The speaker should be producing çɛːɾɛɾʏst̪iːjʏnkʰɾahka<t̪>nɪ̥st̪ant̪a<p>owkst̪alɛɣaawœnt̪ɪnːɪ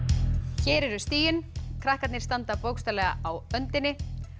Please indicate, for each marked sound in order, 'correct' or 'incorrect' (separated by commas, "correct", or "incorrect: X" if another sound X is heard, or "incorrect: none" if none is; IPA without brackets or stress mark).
correct, correct